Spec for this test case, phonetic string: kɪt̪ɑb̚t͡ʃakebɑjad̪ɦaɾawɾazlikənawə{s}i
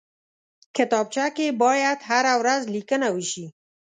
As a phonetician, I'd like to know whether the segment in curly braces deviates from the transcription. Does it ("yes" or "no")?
yes